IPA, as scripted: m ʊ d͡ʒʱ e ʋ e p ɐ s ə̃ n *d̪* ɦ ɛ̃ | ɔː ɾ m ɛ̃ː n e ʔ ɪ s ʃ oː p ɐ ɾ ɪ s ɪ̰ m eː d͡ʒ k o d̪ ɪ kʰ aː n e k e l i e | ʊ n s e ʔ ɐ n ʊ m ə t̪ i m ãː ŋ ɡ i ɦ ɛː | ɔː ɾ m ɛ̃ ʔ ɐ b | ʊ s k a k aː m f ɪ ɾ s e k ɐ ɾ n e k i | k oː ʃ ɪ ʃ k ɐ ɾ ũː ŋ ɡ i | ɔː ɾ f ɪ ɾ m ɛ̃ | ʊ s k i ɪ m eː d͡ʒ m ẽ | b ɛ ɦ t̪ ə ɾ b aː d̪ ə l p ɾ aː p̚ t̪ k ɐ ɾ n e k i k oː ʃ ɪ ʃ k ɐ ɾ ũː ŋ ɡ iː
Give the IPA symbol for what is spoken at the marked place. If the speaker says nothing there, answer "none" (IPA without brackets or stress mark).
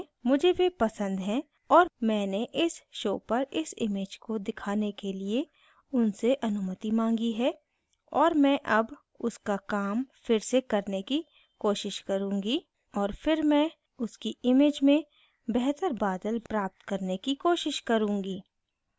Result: d̪